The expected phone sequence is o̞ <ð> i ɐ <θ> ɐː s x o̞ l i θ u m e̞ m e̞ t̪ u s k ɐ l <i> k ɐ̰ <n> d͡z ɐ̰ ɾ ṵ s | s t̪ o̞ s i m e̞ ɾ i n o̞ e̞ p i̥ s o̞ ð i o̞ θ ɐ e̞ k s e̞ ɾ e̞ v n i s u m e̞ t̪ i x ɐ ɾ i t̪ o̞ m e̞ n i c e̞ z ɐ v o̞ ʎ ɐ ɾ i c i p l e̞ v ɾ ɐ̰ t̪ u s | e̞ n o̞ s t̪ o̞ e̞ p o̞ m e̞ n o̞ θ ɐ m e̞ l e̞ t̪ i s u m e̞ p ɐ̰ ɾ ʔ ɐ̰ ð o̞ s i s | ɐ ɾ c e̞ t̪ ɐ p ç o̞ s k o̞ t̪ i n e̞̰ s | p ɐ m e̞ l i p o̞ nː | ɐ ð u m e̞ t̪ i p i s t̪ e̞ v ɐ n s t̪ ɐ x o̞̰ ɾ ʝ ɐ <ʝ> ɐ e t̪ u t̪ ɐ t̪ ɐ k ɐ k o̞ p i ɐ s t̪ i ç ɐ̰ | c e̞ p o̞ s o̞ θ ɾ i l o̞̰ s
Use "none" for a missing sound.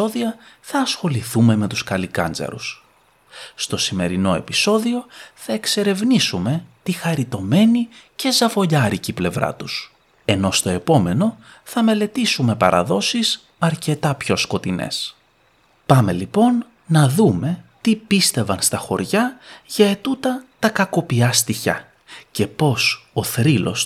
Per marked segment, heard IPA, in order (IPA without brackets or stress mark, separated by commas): ð, θ, i, n, ʝ